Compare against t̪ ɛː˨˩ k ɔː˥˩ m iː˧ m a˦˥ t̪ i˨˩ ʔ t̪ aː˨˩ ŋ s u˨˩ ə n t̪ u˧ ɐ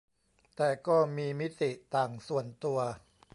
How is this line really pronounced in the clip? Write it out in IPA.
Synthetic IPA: t̪ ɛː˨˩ k ɔː˥˩ m iː˧ m i˦˥ t̪ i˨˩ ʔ t̪ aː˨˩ ŋ s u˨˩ ə n t̪ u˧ ɐ